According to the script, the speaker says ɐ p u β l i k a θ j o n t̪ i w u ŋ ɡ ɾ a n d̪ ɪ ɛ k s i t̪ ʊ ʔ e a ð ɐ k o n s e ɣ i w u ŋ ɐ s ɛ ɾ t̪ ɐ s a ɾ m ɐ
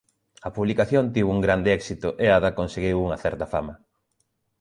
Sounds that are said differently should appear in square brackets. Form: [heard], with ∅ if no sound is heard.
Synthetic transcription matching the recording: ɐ p u β l i k a θ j o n t̪ i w u ŋ ɡ ɾ a n d̪ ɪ ɛ k s i t̪ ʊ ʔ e a ð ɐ k o n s e ɣ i w u ŋ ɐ [θ] ɛ ɾ t̪ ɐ [f] a [∅] m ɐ